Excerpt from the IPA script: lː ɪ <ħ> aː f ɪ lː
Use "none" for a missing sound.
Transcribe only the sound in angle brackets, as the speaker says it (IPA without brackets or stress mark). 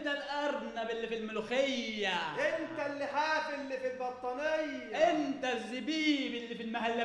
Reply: ħ